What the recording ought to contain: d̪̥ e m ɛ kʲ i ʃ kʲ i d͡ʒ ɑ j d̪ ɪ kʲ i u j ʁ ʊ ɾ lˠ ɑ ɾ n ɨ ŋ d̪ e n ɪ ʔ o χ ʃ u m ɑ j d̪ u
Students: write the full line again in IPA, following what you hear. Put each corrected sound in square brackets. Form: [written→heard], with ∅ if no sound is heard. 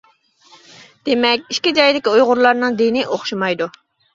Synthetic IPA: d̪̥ e m ɛ kʲ i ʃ kʲ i d͡ʒ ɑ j d̪ ɪ kʲ i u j ʁ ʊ ɾ lˠ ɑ ɾ n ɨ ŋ d̪ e n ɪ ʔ o χ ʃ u m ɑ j d̪ u